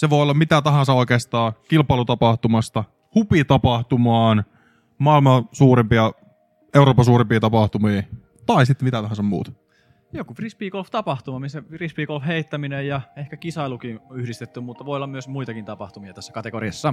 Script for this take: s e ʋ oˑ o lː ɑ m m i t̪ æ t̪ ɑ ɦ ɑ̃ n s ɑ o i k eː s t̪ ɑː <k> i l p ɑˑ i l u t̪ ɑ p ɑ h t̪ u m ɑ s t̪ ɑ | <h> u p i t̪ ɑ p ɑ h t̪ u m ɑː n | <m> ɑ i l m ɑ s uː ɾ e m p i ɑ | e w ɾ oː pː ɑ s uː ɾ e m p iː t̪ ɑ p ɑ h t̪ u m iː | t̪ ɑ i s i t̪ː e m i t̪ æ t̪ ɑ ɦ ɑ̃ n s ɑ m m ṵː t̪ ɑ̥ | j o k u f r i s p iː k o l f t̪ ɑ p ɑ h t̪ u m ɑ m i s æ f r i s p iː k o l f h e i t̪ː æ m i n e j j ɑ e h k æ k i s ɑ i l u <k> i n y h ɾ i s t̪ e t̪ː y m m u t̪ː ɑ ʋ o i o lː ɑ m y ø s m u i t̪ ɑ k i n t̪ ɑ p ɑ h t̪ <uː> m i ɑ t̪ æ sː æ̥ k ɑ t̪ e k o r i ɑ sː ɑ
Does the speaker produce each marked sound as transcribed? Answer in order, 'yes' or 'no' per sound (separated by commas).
yes, yes, yes, yes, no